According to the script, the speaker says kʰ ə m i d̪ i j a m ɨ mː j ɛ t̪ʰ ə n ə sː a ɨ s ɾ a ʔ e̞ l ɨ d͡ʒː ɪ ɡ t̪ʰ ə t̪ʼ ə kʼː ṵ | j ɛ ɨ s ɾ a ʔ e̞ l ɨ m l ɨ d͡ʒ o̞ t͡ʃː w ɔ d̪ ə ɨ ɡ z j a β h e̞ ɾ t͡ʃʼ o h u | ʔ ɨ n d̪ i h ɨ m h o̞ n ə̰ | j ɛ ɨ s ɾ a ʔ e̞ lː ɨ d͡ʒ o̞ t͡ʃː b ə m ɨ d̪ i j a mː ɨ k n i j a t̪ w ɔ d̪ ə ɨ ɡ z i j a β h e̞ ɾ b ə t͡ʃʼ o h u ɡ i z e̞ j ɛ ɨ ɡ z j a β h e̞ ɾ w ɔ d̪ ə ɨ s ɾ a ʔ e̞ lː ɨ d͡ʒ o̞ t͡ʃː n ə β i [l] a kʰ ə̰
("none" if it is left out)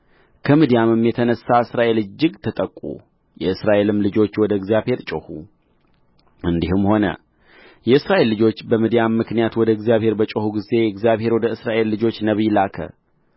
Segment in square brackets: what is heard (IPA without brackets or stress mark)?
l